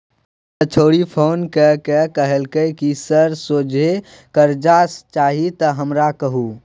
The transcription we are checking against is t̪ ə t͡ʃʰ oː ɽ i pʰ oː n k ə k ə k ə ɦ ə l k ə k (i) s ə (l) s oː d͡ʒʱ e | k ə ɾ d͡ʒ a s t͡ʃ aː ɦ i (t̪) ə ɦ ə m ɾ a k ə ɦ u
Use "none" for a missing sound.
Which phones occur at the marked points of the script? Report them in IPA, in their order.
i, ɾ, t̪

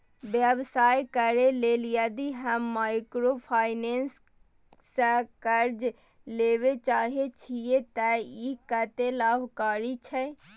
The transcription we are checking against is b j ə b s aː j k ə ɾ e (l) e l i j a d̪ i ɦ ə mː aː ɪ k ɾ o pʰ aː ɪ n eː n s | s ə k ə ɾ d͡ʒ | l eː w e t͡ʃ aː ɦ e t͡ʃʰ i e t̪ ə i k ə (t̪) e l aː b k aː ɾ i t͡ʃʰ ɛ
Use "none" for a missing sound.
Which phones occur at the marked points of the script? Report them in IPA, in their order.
l, t̪

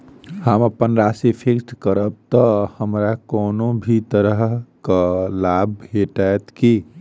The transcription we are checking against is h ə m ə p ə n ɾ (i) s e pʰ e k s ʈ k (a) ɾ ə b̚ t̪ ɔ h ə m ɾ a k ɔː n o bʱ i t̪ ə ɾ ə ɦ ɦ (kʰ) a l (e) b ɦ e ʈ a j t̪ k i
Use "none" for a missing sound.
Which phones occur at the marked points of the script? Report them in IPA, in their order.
a, ə, k, a

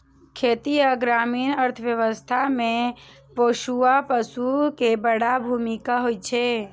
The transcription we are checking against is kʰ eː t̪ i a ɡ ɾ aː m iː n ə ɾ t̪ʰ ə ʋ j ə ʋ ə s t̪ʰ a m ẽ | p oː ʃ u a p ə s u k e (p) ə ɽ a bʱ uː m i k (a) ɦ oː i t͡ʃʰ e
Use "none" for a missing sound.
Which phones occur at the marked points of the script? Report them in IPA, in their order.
b, a

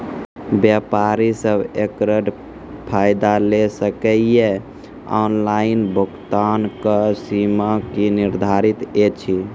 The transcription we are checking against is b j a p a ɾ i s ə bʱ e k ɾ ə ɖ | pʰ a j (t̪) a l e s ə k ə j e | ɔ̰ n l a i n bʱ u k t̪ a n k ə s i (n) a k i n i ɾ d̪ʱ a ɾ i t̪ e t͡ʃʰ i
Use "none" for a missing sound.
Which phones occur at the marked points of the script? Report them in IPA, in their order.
d̪, m

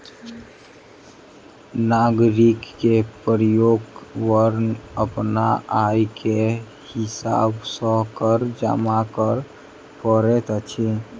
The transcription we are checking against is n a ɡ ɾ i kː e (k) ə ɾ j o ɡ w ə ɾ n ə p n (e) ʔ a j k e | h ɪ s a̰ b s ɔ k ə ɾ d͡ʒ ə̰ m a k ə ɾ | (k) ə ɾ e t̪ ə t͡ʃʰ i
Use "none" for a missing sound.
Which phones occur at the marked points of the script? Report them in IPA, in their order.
p, a, p

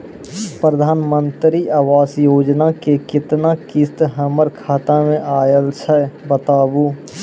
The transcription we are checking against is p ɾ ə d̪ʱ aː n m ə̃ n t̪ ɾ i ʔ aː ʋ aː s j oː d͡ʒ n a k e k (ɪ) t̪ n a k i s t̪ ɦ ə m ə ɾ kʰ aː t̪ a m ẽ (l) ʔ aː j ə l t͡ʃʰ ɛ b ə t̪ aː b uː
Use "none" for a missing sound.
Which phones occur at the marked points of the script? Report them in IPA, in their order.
ɪ, none

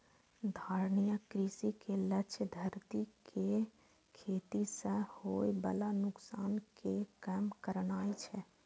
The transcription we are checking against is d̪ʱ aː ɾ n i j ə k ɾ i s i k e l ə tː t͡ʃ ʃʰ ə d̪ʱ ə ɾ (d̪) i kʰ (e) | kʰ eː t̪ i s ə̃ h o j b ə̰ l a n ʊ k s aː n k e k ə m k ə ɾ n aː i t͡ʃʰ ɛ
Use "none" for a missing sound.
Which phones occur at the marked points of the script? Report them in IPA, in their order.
t̪, e

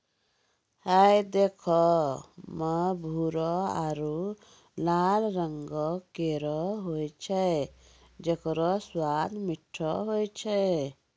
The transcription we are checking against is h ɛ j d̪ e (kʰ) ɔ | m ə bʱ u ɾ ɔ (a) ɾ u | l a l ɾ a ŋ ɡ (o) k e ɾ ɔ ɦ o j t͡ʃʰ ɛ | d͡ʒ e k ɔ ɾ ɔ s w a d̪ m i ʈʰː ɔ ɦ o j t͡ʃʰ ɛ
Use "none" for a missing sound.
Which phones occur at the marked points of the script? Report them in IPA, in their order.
kʰ, a, ɔ

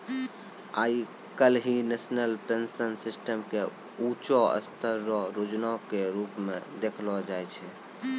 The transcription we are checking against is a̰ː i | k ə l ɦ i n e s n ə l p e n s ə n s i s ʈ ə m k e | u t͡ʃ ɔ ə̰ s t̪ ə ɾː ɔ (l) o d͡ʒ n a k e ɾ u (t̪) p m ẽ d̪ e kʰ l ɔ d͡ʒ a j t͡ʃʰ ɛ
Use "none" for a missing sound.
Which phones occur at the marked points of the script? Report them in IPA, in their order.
ɾ, none

